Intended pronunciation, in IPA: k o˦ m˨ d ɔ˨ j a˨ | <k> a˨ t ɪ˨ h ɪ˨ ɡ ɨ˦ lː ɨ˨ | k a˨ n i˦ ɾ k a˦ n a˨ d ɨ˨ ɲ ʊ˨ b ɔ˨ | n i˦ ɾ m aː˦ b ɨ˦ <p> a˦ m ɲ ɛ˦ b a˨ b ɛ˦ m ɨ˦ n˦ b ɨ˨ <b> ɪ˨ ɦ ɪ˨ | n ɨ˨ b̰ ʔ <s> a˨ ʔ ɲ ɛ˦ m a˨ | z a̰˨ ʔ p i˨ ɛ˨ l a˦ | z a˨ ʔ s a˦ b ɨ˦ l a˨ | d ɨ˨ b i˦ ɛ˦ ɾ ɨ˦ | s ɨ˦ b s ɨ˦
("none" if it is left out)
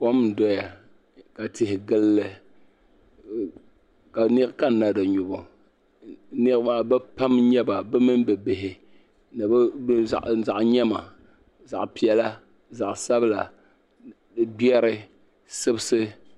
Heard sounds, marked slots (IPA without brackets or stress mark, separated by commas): k, p, b, z